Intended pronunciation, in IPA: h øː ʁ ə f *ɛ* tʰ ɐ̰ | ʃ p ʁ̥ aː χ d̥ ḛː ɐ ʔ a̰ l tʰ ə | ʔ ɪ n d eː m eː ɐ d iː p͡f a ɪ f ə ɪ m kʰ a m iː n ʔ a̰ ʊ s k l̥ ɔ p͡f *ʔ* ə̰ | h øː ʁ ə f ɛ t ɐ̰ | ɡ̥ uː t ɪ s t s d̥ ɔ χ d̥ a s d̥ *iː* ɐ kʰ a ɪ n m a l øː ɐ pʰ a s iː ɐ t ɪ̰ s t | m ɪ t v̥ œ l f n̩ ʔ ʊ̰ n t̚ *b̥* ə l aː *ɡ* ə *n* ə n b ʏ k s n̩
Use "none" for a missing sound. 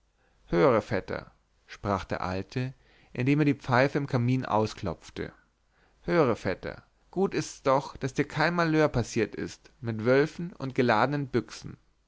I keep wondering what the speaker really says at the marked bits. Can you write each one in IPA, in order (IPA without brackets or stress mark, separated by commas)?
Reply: ɛ, t, iː, ɡ̥, d, n